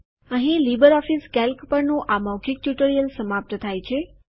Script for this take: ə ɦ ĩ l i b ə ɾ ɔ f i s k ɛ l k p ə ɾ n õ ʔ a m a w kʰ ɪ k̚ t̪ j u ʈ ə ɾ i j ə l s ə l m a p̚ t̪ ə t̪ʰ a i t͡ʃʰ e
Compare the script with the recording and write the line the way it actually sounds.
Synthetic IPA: ə ɦ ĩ l i b ə ɾ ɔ f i s k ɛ l k p ə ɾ n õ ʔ a m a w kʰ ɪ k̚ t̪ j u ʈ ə ɾ i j ə l s ə m a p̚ t̪ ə t̪ʰ a j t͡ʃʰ e